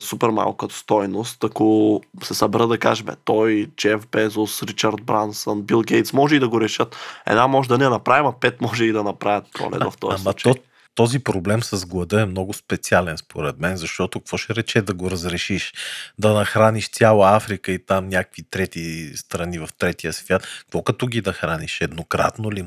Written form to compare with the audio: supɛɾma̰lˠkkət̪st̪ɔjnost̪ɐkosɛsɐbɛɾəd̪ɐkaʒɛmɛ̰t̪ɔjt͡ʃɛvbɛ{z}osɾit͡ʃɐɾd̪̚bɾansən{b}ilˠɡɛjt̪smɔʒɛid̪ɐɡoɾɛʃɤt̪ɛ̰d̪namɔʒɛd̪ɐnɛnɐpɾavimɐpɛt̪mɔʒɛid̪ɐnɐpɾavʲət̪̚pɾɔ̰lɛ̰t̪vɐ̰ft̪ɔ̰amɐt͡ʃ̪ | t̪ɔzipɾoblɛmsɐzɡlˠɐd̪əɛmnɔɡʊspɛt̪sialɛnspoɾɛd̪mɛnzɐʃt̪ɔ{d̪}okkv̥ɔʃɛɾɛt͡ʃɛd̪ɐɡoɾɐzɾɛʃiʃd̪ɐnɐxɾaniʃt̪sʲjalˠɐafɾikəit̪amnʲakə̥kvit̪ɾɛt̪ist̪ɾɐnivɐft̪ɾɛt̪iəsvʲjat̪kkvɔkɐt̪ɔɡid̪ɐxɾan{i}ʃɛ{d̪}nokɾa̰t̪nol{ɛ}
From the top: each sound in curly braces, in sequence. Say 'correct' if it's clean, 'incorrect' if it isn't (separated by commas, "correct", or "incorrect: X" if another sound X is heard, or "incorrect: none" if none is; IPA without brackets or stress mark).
correct, correct, incorrect: t̪, correct, correct, incorrect: i